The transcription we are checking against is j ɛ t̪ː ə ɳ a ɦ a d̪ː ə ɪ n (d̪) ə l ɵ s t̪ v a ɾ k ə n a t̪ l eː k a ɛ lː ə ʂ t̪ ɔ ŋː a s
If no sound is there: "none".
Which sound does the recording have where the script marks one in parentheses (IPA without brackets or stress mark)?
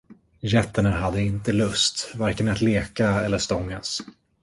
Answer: t̪